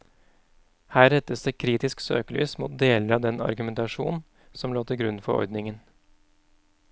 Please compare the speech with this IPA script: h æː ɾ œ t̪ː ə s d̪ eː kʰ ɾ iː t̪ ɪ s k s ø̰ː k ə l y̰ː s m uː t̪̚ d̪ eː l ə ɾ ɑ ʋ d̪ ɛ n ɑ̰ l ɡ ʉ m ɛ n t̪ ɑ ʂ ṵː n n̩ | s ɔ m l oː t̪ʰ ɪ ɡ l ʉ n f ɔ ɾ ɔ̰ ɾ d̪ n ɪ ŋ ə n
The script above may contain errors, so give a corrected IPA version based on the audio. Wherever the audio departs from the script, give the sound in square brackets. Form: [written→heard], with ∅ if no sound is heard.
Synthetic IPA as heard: h æː ɾ [œ→ɛ] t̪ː ə s d̪ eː kʰ ɾ iː t̪ ɪ s k s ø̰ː k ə l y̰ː s m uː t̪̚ d̪ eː l ə ɾ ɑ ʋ d̪ ɛ n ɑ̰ [l→ɾ] ɡ ʉ m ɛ n t̪ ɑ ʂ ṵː n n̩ | s ɔ m l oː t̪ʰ ɪ ɡ [l→ɾ] ʉ n f ɔ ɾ ɔ̰ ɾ d̪ n ɪ ŋ ə n